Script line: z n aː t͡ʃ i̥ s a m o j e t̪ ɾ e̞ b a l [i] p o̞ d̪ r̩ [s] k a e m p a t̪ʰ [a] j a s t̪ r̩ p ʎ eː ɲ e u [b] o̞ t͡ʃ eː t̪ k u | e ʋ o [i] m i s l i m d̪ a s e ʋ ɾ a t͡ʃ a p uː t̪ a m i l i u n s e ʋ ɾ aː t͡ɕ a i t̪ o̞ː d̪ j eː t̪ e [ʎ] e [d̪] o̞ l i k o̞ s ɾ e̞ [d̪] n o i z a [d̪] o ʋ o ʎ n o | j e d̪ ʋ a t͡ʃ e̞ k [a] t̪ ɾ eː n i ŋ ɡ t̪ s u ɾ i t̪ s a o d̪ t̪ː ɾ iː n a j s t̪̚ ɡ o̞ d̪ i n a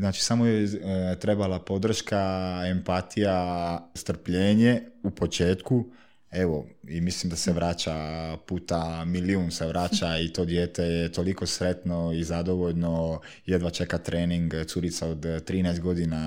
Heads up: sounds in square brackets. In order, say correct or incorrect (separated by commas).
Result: incorrect, incorrect, incorrect, incorrect, correct, incorrect, incorrect, incorrect, correct, correct